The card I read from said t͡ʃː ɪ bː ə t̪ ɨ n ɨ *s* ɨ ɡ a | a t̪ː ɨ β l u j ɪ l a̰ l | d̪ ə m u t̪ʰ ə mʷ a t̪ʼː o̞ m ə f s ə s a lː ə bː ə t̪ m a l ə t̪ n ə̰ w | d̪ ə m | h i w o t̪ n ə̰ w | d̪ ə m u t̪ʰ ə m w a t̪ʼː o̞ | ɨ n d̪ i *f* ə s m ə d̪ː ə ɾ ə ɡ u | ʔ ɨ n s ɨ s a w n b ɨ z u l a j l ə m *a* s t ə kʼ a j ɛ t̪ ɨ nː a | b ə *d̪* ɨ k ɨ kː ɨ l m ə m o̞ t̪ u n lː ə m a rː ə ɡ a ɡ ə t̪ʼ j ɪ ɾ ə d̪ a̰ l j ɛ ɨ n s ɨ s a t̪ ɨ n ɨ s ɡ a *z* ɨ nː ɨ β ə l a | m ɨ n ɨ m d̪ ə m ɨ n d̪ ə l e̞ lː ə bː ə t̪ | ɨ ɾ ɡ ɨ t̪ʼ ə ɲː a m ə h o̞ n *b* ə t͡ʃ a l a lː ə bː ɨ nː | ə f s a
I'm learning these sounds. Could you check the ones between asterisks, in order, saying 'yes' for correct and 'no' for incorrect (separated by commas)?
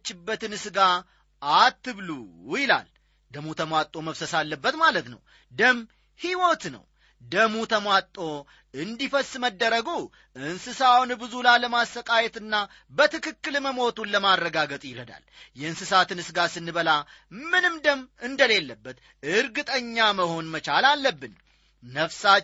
yes, yes, yes, no, no, no